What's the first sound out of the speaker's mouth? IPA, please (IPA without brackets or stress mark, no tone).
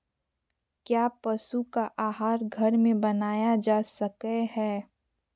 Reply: k